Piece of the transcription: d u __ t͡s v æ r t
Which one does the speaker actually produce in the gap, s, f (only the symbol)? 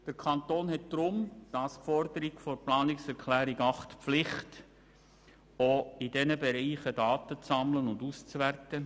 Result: s